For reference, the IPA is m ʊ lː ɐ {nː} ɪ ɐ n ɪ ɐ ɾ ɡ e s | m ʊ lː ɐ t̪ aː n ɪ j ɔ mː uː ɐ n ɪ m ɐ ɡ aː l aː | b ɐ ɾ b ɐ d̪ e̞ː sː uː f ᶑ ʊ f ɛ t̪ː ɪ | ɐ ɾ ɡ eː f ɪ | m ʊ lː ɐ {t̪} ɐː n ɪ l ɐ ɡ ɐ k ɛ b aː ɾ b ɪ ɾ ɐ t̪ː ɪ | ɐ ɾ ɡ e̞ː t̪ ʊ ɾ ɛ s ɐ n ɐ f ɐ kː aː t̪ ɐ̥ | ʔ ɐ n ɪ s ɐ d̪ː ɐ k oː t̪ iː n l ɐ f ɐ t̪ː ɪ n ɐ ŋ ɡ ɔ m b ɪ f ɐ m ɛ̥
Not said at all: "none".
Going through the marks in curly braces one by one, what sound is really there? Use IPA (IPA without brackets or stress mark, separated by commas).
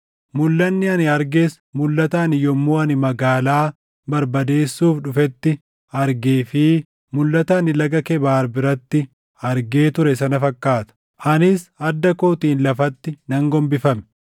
nː, t̪